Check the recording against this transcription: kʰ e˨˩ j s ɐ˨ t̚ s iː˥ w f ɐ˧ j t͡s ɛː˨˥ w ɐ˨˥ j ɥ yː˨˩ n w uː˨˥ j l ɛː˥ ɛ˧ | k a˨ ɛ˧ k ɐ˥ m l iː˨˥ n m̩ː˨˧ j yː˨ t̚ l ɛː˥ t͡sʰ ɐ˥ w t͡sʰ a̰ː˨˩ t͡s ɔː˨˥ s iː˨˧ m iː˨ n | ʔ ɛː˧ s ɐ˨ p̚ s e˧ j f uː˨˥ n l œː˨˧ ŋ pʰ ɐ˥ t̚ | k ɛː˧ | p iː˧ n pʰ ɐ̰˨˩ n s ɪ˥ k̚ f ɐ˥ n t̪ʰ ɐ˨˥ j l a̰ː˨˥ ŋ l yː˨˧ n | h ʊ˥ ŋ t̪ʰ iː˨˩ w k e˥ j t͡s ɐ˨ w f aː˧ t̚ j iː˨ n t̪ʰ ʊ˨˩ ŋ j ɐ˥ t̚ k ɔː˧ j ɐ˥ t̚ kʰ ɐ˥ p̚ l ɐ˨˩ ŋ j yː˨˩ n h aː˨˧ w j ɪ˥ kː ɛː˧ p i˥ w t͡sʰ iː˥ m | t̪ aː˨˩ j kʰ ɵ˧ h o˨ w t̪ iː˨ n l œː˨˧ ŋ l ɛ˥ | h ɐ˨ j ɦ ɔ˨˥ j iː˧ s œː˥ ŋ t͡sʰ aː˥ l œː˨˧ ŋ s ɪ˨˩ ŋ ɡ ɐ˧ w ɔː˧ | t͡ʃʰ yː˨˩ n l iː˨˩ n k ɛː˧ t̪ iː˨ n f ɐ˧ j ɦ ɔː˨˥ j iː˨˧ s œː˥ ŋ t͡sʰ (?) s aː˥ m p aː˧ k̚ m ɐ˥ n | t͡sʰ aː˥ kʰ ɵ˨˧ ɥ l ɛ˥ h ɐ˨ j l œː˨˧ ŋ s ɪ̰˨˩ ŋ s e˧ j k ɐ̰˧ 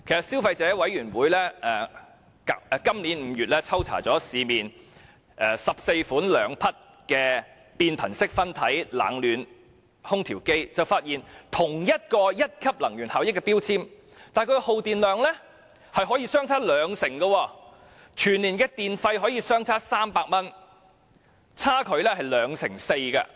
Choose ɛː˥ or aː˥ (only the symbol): aː˥